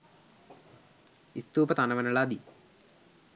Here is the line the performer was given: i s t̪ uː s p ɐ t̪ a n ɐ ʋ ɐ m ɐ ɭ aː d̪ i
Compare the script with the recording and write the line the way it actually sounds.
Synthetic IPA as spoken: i s t̪ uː p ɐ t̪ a n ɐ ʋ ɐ n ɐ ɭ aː d̪ i